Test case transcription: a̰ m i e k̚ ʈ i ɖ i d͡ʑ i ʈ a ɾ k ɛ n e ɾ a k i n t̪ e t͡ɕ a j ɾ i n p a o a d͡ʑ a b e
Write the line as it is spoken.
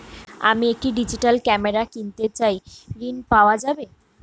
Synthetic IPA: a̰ m i e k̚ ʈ i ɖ i d͡ʑ i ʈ a l k ɛ m e ɾ a k i n t̪ e t͡ɕ a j ɾ i n p a o a d͡ʑ a b e